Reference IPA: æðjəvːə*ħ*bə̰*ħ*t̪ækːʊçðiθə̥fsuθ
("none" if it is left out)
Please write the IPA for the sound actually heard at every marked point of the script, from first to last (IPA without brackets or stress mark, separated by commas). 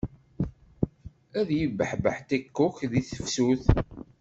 ħ, ħ